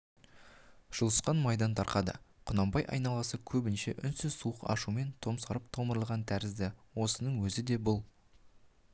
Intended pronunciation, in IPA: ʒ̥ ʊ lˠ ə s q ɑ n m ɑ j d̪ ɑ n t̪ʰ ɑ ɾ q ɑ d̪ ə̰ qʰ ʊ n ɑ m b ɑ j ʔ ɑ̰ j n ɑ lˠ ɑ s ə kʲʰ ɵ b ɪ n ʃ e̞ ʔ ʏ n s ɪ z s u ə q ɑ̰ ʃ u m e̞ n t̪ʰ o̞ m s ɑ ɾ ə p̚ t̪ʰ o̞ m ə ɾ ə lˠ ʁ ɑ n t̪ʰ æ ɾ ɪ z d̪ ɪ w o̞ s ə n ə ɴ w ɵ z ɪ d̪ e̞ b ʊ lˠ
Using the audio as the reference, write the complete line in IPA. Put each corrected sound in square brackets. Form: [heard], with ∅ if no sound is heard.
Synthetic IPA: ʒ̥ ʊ lˠ ə s q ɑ n m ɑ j d̪ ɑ n t̪ʰ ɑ ɾ q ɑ d̪ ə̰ qʰ ʊ n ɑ m b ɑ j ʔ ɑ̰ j n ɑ lˠ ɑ s ə kʲʰ ɵ b ɪ n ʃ e̞ ʔ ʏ n s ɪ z s u ə q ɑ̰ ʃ u m e̞ n t̪ʰ o̞ m s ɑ ɾ ə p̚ t̪ʰ o̞ m ə ɾ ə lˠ ʁ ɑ n t̪ʰ æ ɾ ɪ z d̪ ɪ w o̞ s ə n ə ɴ w ɵ z ɪ d̪ e̞ b ʊ lˠ

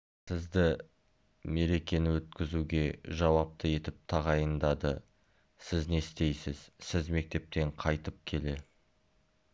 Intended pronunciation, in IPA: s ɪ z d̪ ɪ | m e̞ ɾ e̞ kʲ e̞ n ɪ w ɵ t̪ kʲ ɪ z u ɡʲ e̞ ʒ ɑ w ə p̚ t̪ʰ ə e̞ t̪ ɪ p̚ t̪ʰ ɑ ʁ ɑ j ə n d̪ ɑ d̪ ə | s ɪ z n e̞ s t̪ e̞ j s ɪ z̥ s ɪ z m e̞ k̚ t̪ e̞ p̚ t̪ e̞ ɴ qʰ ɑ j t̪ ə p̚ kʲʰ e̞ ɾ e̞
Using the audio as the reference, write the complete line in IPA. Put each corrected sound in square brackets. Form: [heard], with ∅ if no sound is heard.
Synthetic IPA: s ɪ z d̪ ɪ | m e̞ ɾ e̞ kʲ e̞ n ɪ w ɵ t̪ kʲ ɪ z u ɡʲ e̞ ʒ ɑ w [ɑ] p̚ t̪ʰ ə e̞ t̪ ɪ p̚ t̪ʰ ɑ ʁ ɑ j ə n d̪ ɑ d̪ ə | s ɪ z n e̞ s t̪ e̞ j s ɪ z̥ s ɪ z m e̞ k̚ t̪ e̞ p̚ t̪ e̞ ɴ qʰ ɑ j t̪ ə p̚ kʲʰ e̞ [l] e̞

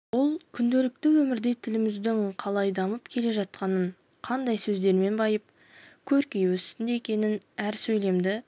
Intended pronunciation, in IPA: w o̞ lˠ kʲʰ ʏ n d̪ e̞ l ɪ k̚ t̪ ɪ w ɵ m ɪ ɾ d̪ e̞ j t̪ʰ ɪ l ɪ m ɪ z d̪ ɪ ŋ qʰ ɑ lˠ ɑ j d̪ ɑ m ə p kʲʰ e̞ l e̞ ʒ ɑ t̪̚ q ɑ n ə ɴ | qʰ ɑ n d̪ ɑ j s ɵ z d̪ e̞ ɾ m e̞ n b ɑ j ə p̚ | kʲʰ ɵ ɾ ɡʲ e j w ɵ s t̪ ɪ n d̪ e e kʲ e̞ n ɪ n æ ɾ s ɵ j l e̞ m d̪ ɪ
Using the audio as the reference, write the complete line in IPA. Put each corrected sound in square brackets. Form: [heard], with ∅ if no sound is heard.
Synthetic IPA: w o̞ lˠ kʲʰ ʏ n d̪ e̞ l ɪ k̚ t̪ ɪ w ɵ m ɪ ɾ d̪ e̞ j t̪ʰ ɪ l ɪ m ɪ z d̪ ɪ ŋ qʰ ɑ lˠ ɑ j d̪ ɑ m ə p kʲʰ e̞ l e̞ ʒ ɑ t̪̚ q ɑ n ə ɴ | qʰ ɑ n d̪ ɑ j s ɵ z d̪ e̞ ɾ m e̞ n b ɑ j ə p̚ | kʲʰ ɵ ɾ [kʲ] e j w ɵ s t̪ ɪ n d̪ e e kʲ e̞ n ɪ n æ ɾ s ɵ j l e̞ m d̪ ɪ

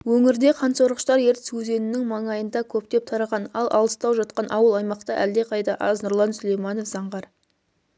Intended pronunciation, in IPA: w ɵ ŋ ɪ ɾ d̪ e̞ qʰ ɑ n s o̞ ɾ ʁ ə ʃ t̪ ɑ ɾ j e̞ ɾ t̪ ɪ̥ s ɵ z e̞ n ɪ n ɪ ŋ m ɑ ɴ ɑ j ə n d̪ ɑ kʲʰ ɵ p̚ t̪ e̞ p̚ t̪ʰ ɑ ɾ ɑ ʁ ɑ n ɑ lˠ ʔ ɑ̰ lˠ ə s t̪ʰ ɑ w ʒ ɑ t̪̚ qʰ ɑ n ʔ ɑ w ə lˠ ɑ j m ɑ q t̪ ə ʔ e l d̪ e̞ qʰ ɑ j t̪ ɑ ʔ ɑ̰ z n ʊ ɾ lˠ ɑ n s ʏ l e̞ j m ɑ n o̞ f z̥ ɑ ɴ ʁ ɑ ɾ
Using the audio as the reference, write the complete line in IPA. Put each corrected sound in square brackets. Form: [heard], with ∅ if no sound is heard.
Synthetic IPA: w ɵ ŋ ɪ ɾ d̪ e̞ qʰ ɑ n s o̞ ɾ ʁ ə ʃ t̪ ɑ ɾ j e̞ ɾ t̪ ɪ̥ s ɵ z e̞ n ɪ n ɪ ŋ m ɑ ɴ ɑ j ə n d̪ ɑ kʲʰ ɵ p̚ t̪ e̞ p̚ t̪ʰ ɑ ɾ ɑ ʁ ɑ n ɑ lˠ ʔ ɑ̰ lˠ ə s [t̪] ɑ w ʒ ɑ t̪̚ [q] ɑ n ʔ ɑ w ə lˠ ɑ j m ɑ q t̪ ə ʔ [æ] l d̪ e̞ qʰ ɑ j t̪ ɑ ʔ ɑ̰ z n ʊ ɾ lˠ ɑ n s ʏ l e̞ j m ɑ n o̞ f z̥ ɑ ɴ ʁ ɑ ɾ

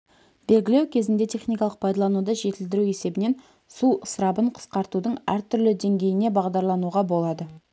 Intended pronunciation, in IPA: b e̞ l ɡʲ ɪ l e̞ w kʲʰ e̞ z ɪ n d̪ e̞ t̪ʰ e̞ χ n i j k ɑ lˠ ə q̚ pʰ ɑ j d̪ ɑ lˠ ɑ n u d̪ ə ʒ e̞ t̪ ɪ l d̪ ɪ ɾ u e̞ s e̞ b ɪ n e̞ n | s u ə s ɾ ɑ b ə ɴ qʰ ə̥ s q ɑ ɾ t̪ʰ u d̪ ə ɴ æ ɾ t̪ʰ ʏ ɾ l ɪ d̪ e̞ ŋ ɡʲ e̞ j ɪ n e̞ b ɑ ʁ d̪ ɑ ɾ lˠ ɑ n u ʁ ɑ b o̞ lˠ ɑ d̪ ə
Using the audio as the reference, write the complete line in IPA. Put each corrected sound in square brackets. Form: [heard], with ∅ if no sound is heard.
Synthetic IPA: b e̞ l ɡʲ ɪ l e̞ w kʲʰ e̞ z ɪ n d̪ e̞ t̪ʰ e̞ χ n i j k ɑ lˠ ə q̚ pʰ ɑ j d̪ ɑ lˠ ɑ n u d̪ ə ʒ e̞ t̪ ɪ l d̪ ɪ ɾ u e̞ s e̞ b ɪ n e̞ n | s u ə s ɾ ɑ b ə ɴ qʰ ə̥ s q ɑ ɾ [t̪] u d̪ ə ɴ æ ɾ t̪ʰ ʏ ɾ l ɪ d̪ e̞ ŋ ɡʲ e̞ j ɪ n e̞ b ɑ ʁ d̪ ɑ ɾ lˠ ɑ n u ʁ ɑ b o̞ lˠ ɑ d̪ ə

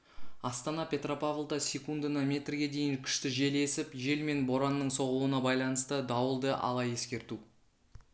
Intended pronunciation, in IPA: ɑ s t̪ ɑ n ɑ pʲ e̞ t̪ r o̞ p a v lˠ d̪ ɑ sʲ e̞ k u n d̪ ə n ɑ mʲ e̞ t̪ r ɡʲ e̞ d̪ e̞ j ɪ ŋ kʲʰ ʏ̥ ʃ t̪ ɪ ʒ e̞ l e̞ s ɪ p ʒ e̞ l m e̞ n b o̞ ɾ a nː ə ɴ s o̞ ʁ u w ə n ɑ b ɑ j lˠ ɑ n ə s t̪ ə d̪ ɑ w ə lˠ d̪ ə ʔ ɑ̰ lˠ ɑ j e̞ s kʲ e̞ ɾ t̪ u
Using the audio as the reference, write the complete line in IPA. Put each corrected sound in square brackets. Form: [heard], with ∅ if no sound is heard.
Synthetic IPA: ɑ s t̪ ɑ n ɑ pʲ e̞ t̪ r o̞ p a v lˠ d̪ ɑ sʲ e̞ k u n d̪ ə n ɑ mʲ e̞ t̪ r ɡʲ e̞ d̪ e̞ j ɪ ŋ kʲʰ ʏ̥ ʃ t̪ ɪ ʒ e̞ l e̞ s ɪ p ʒ e̞ l m e̞ n b o̞ ɾ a nː ə ɴ s o̞ ʁ u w ə n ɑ b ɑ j lˠ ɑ n ə s t̪ ə d̪ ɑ w ə lˠ d̪ ə ʔ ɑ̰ lˠ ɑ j e̞ s kʲ e̞ ɾ t̪ u

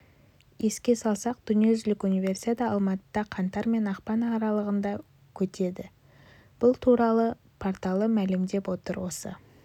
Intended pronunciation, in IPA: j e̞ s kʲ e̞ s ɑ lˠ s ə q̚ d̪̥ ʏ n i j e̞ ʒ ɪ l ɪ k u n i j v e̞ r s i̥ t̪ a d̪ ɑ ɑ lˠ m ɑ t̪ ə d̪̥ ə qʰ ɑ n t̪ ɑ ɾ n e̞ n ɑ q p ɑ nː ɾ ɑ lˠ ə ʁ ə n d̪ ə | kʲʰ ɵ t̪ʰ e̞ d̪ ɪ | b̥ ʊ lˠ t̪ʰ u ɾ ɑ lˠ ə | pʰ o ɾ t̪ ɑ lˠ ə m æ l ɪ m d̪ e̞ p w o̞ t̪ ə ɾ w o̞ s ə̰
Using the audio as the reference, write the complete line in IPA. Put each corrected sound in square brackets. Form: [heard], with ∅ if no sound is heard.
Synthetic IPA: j e̞ s kʲ e̞ s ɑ lˠ s [ɑ] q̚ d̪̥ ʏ n i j e̞ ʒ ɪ l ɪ k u n i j v e̞ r s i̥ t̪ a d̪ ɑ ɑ lˠ m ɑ t̪ ə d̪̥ [ɑ] qʰ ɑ n t̪ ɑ ɾ [m] e̞ n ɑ q p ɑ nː ɾ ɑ lˠ ə ʁ ə n d̪ [ɑ] | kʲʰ ɵ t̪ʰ e̞ d̪ ɪ | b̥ ʊ lˠ t̪ʰ u ɾ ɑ lˠ ə | pʰ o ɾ t̪ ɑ lˠ ə m æ l ɪ m d̪ e̞ p w o̞ t̪ ə ɾ w o̞ s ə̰

